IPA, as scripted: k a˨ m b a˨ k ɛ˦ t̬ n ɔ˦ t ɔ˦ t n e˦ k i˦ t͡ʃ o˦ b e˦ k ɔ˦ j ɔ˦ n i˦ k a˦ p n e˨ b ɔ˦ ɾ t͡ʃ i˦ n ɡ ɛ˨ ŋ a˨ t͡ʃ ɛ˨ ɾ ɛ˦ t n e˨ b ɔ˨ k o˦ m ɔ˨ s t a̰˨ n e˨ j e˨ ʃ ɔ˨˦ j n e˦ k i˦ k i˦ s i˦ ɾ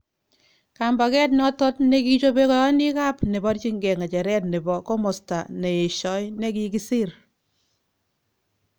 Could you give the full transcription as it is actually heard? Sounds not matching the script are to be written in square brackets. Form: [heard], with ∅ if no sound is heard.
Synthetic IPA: k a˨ m b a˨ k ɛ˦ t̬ n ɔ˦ t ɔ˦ t n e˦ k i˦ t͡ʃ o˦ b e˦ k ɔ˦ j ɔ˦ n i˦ k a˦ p n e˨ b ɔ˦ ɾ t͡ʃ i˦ [ŋ] ɡ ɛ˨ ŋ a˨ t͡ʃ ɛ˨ ɾ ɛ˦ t n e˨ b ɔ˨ k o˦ m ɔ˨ s t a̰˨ n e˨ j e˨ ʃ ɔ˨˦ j n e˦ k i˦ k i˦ s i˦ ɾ